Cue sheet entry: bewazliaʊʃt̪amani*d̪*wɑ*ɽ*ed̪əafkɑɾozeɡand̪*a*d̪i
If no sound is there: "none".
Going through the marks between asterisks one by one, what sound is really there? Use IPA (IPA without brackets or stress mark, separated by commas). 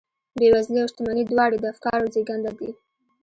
d̪, ɽ, a